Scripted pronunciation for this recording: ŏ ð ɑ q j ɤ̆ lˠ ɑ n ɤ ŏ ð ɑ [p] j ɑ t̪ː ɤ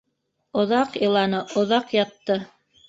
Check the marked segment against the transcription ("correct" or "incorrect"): incorrect